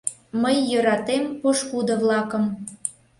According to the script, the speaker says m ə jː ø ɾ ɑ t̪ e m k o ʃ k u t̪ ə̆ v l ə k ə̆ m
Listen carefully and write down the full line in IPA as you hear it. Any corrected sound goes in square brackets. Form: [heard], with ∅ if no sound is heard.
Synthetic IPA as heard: m ə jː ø ɾ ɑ t̪ e m [p] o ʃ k u [d̪] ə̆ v l [ɑ] k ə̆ m